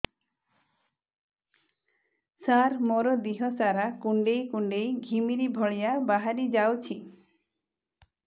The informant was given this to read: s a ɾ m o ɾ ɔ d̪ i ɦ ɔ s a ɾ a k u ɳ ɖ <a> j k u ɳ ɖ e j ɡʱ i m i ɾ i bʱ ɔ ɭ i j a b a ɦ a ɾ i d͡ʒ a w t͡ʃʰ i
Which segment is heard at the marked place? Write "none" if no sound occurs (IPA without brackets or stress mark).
e